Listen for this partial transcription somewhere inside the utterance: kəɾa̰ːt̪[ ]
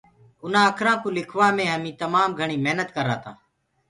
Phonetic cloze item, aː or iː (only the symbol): aː